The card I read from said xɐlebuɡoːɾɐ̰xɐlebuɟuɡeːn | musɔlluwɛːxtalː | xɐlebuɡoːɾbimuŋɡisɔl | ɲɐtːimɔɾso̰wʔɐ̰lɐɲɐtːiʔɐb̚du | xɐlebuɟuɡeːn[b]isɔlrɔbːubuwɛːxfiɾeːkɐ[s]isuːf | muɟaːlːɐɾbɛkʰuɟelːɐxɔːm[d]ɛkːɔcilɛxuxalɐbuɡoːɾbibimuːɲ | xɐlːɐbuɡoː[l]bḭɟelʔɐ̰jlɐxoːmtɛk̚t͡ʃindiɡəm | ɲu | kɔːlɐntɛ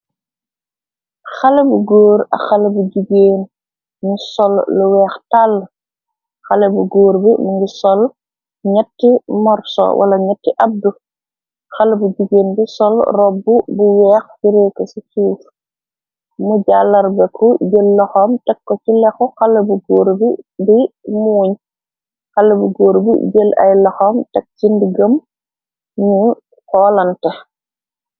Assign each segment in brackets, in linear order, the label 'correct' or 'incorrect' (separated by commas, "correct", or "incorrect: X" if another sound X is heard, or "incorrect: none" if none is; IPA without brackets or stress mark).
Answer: correct, correct, incorrect: t, incorrect: ɾ